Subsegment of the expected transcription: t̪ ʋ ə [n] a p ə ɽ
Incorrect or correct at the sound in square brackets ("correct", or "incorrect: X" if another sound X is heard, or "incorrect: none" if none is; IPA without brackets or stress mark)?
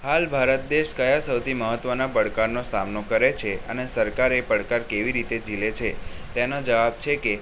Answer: correct